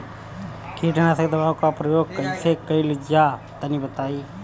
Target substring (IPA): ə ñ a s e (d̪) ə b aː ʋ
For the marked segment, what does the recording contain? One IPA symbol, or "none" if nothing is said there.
d̪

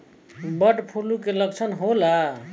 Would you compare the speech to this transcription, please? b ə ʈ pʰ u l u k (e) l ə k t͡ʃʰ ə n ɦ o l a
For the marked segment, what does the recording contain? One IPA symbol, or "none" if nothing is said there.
e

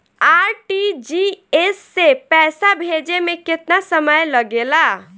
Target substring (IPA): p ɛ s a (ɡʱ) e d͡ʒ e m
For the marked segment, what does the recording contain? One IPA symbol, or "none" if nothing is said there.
bʱ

